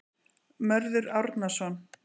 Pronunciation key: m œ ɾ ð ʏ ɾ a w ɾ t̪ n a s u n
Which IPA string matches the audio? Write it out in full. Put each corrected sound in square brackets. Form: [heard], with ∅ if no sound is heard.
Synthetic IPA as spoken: m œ ɾ ð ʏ ɾ a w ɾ t̪ n a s [ɔ] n